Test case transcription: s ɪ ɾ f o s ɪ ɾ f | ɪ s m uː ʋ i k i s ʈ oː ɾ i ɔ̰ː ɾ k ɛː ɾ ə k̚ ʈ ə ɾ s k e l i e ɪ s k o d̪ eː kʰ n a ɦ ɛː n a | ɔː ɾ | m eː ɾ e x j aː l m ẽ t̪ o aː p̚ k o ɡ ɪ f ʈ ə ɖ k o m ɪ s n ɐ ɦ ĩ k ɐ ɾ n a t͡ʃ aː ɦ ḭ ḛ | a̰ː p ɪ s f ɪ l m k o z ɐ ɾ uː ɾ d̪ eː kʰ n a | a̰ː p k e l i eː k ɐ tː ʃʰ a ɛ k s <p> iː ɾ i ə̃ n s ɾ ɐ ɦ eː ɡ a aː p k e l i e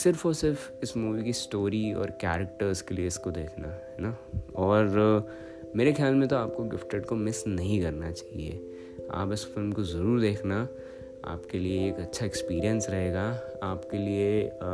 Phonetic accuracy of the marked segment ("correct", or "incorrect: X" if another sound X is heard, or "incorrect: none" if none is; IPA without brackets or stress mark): correct